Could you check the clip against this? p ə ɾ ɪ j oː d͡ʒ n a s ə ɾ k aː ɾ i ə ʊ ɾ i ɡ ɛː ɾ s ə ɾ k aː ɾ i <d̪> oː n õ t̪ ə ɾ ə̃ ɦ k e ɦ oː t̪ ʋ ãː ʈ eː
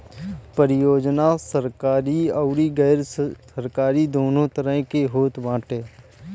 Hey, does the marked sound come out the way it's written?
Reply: yes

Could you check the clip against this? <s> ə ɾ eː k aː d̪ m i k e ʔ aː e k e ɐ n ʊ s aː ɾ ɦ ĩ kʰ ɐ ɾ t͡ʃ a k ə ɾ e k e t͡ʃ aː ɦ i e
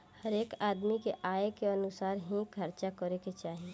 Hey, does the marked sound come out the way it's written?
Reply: no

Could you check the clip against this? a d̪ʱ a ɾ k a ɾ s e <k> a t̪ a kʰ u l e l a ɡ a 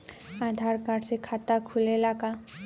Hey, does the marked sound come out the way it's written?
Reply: no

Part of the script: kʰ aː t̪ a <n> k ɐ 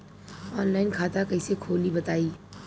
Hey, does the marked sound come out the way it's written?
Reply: no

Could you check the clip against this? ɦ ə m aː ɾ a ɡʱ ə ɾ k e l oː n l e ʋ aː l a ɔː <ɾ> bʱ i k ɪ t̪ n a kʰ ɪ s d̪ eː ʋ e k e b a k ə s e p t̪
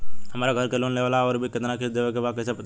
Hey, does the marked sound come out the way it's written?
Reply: yes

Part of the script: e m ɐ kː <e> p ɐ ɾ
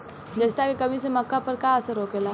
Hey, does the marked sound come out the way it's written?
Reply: no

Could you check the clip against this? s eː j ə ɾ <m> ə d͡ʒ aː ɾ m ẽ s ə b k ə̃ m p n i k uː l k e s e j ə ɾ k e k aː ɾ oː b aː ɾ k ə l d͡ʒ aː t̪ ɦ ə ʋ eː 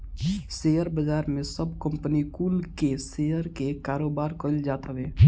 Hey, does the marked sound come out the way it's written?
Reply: no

